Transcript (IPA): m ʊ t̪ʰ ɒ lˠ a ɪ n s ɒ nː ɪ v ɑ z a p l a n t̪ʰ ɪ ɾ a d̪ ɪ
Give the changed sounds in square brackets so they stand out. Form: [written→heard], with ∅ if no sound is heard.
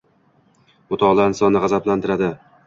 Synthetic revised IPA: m ʊ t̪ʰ ɒ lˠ a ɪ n s ɒ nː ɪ [v→ʁ] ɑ z a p l a n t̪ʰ ɪ ɾ a d̪ ɪ